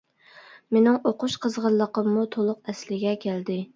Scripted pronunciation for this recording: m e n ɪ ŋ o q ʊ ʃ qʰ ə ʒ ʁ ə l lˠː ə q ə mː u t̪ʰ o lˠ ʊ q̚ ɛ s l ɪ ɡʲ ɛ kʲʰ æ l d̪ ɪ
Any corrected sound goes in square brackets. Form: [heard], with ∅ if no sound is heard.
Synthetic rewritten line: m e n ɪ ŋ o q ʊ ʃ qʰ ə [z] ʁ ə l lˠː ə q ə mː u t̪ʰ o lˠ ʊ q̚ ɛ s l ɪ ɡʲ ɛ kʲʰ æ l d̪ ɪ